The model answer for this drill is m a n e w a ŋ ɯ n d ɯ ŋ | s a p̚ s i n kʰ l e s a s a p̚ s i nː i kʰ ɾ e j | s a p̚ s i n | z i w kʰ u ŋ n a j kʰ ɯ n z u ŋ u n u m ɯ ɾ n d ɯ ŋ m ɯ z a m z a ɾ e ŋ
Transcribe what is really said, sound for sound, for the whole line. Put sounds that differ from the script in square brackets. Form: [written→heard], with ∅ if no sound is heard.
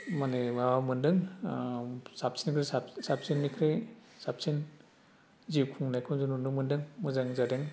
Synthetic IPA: m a n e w a [ŋ→m] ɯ n d ɯ ŋ | s a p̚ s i n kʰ [l→ɾ] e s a s a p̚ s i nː i kʰ ɾ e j | s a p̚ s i n | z i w kʰ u ŋ n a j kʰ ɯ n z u [ŋ→n] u n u m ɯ [ɾ→∅] n d ɯ ŋ m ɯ z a [m→ŋ] z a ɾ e ŋ